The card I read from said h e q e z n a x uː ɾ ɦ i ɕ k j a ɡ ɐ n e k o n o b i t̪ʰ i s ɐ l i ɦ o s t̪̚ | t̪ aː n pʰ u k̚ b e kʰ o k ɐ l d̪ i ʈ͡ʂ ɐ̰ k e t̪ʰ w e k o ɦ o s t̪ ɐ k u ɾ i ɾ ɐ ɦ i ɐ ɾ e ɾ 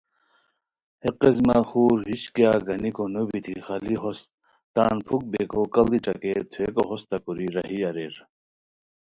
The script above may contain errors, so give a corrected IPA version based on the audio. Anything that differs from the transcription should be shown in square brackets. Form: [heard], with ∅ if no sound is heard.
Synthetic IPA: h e q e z [m] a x uː ɾ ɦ i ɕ k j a ɡ ɐ n [i] k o n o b i t̪ʰ i [x] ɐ l i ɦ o s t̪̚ | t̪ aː n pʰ u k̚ b e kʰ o k ɐ l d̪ i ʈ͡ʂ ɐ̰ k e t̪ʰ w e k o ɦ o s t̪ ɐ k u ɾ i ɾ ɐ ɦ i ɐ ɾ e ɾ